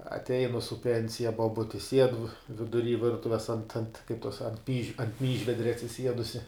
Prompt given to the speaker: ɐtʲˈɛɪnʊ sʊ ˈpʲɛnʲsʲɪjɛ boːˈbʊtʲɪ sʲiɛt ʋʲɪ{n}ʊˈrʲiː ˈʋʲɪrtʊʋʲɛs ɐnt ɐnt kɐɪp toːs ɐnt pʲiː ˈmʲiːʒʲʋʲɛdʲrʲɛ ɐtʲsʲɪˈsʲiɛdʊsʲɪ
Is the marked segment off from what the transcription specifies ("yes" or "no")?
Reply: yes